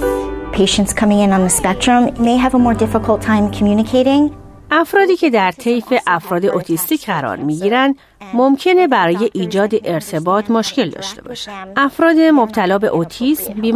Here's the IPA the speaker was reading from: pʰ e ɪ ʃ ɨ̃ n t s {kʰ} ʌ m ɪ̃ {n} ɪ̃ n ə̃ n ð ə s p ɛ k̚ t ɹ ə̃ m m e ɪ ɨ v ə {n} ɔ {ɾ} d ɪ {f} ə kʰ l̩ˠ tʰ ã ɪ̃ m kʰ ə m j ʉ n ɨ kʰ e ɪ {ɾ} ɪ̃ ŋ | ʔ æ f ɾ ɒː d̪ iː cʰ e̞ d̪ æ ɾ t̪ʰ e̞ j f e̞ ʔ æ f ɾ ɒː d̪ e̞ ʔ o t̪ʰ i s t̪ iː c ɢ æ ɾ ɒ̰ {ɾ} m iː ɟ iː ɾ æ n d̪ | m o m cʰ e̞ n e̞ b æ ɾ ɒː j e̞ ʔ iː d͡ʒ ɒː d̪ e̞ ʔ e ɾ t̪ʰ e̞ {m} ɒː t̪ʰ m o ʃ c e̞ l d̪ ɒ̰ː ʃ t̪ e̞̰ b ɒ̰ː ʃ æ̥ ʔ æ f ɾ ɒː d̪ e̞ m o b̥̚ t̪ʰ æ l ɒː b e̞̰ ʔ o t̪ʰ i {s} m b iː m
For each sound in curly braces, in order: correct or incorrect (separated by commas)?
correct, incorrect, incorrect, incorrect, correct, correct, correct, incorrect, correct